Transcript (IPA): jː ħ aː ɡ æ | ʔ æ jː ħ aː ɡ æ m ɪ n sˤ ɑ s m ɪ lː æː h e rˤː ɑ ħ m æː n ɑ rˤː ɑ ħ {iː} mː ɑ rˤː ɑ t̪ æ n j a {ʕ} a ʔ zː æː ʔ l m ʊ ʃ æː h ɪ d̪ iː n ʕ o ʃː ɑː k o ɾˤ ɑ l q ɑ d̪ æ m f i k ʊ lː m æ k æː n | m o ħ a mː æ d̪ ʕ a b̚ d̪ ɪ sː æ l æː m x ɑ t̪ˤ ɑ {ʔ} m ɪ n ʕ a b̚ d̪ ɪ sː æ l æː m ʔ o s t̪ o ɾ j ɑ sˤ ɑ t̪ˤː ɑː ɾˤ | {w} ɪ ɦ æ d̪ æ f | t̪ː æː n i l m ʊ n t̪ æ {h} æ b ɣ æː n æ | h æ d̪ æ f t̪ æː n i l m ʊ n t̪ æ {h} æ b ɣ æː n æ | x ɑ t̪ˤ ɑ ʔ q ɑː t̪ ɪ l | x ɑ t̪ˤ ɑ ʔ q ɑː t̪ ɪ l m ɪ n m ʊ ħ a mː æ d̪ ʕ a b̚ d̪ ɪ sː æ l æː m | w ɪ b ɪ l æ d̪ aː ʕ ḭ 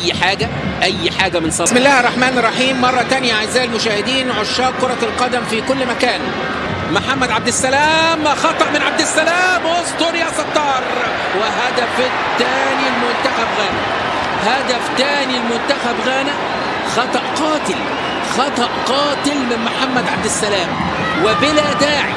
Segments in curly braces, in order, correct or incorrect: correct, correct, correct, correct, incorrect: x, incorrect: x

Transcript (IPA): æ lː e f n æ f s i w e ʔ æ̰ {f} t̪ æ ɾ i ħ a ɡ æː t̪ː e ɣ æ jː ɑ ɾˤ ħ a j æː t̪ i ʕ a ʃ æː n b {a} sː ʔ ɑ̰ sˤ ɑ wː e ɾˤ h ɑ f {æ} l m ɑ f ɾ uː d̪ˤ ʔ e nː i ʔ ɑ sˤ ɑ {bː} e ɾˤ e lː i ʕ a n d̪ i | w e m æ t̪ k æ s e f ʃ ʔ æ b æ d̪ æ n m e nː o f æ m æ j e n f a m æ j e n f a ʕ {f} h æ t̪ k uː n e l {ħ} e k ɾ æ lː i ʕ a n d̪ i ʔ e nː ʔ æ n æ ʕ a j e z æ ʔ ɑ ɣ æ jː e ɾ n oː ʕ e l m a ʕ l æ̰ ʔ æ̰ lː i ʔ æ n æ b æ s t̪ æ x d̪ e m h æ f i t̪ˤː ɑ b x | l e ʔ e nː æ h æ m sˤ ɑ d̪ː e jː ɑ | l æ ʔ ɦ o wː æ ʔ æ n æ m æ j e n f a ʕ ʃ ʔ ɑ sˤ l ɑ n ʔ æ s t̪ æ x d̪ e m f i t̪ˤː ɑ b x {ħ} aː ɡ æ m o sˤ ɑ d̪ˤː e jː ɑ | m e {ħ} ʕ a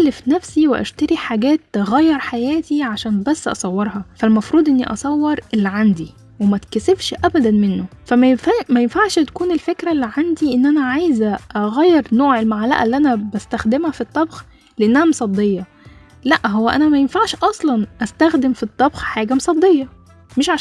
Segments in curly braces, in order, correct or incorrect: incorrect: ʃ, incorrect: æ, correct, incorrect: wː, incorrect: ʃ, incorrect: f, correct, incorrect: ʃ

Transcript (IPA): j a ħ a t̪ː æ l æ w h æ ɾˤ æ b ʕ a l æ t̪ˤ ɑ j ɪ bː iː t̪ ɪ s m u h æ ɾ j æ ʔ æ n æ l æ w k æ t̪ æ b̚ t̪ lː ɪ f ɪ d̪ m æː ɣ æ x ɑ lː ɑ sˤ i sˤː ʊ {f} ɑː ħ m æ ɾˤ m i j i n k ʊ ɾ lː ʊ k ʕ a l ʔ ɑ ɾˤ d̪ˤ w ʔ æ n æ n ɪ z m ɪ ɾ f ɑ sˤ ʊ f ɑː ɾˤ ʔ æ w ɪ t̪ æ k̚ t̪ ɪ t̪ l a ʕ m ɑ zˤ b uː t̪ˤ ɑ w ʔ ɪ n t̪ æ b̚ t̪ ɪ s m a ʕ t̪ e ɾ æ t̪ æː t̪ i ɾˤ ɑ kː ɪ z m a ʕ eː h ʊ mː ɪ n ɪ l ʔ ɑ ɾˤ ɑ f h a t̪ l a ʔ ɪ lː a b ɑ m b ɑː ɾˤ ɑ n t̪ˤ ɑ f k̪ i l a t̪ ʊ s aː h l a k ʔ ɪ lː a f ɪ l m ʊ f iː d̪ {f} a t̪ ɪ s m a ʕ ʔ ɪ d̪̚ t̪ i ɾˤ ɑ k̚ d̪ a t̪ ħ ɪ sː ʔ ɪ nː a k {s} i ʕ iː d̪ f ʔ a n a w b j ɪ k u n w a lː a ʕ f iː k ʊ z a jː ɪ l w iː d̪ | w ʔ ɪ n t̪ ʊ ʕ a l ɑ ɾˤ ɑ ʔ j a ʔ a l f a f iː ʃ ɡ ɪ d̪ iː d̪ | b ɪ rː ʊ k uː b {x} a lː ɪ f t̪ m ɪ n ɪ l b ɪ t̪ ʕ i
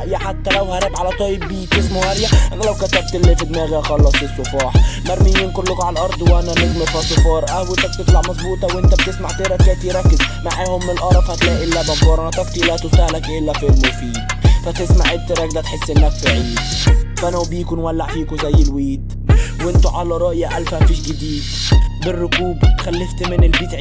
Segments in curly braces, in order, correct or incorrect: correct, correct, incorrect: f, correct

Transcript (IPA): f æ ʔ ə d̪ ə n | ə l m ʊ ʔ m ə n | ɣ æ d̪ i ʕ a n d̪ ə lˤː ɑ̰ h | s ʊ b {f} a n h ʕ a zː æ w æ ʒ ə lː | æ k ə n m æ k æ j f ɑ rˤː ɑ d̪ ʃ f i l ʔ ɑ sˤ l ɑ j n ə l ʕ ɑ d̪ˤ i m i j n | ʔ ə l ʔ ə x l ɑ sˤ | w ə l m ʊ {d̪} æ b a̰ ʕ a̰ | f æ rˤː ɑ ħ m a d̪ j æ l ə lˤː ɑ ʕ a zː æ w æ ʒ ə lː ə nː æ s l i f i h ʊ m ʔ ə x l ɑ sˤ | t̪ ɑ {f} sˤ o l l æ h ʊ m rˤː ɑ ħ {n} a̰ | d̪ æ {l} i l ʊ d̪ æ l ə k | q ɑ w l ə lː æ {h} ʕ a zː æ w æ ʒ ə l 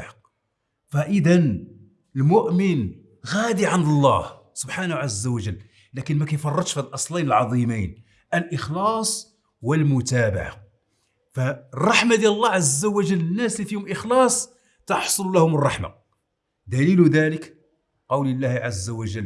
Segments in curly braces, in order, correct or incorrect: incorrect: ħ, incorrect: t̪, incorrect: ħ, incorrect: m, correct, correct

